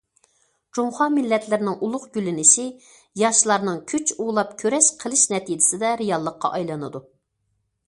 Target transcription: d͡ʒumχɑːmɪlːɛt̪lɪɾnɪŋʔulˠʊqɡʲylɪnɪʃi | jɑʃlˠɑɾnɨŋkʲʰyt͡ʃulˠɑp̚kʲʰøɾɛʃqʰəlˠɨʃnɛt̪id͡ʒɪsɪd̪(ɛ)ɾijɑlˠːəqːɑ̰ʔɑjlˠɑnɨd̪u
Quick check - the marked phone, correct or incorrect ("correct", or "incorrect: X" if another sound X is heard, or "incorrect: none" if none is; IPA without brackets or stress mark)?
correct